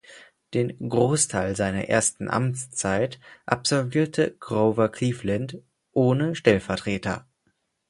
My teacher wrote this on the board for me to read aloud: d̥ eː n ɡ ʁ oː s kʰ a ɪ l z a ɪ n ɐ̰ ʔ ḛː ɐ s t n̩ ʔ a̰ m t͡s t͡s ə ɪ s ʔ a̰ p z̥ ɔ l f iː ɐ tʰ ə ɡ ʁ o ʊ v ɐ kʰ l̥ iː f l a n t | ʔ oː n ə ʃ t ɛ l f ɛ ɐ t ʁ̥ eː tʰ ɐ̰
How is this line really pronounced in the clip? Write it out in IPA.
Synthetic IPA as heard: d̥ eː n ɡ ʁ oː s tʰ a ɪ l z a ɪ n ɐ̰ ʔ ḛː ɐ s t n̩ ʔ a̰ m t͡s t͡s a ɪ t ʔ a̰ p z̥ ɔ l v iː ɐ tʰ ə ɡ ʁ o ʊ v ɐ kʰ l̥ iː f l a n t | ʔ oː n ə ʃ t ɛ l f ɛ ɐ t ʁ̥ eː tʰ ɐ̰